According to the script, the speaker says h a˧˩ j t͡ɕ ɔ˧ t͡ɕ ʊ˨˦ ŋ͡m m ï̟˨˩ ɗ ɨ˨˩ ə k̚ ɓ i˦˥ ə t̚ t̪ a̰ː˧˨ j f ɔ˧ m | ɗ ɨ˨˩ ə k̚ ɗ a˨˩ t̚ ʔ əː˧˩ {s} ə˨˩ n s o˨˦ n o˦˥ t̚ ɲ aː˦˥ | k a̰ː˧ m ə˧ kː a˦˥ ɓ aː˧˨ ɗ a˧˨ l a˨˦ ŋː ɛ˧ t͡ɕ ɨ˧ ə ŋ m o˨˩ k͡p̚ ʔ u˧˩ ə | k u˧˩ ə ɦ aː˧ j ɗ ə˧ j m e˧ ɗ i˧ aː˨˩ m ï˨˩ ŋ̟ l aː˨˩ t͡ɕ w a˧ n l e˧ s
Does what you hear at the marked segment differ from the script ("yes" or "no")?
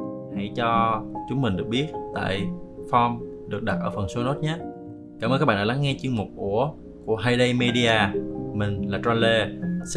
yes